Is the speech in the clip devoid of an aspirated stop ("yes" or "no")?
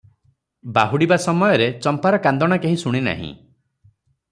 yes